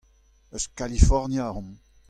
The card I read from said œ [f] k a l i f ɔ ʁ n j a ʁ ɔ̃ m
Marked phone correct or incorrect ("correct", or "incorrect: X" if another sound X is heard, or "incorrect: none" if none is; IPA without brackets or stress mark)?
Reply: incorrect: s